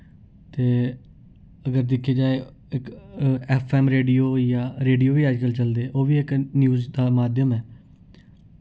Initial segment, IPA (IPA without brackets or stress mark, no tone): t̪